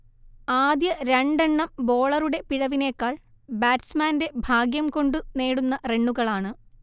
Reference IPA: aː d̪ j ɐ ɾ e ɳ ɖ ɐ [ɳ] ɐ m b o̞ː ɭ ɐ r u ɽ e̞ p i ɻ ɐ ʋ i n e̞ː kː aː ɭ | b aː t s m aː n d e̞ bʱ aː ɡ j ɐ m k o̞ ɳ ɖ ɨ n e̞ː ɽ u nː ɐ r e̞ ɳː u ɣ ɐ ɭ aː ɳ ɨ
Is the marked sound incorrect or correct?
incorrect